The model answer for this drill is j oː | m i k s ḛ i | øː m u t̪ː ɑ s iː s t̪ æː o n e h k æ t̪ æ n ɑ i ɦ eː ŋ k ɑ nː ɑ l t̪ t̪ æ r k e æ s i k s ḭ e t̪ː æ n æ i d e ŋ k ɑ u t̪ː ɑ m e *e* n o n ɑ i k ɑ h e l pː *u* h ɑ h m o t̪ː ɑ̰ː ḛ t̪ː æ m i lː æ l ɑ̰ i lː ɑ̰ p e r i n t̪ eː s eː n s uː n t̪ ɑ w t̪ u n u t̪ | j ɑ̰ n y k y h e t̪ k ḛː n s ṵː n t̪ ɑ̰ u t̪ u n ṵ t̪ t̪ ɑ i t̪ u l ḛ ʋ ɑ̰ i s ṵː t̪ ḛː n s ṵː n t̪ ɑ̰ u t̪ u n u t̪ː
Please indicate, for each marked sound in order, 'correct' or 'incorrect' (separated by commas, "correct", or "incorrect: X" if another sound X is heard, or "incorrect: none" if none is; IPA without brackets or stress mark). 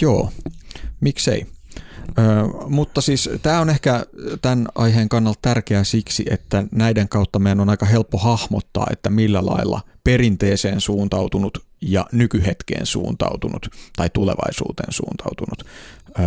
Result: incorrect: æ, incorrect: o